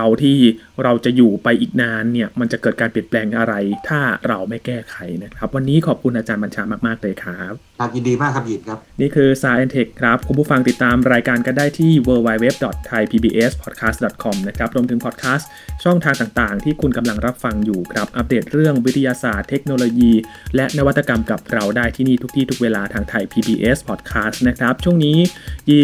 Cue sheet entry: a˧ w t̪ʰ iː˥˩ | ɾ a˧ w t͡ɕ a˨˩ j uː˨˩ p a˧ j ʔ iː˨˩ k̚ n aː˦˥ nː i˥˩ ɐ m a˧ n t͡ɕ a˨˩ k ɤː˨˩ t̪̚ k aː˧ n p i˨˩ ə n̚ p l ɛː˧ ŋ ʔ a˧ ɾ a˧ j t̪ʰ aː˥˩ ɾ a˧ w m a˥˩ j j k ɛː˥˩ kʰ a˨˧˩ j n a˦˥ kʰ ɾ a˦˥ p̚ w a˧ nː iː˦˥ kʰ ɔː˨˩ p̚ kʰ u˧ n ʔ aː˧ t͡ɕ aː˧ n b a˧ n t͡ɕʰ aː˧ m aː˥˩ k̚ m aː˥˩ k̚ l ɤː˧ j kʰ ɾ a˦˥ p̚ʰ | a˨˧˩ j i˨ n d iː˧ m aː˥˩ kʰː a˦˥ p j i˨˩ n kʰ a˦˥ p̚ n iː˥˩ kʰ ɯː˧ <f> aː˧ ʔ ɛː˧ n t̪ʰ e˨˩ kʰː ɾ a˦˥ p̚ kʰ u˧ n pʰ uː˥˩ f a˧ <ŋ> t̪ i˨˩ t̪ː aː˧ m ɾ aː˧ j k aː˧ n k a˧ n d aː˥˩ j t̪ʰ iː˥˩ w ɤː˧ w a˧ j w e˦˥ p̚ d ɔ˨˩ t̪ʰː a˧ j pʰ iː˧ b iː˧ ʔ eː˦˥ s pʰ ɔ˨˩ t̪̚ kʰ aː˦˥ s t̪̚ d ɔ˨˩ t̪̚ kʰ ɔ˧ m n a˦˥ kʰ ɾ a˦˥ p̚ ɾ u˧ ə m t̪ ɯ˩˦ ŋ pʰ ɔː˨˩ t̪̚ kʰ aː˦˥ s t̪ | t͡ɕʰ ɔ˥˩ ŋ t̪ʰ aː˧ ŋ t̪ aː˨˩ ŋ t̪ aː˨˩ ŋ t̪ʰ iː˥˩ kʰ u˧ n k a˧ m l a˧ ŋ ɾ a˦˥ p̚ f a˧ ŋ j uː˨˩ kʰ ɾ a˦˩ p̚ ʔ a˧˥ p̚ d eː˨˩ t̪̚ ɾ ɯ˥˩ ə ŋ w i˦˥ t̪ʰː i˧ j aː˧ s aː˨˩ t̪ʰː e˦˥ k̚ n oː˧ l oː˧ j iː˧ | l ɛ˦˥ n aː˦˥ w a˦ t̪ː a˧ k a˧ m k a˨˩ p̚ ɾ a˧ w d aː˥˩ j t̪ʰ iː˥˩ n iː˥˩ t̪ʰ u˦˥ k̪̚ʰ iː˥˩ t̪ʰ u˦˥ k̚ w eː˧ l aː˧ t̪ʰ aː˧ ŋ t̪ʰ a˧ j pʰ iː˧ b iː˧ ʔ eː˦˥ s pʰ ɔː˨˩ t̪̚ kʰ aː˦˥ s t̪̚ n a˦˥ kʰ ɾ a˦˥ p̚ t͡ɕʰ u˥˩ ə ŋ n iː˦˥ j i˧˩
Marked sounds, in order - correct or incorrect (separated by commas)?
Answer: incorrect, correct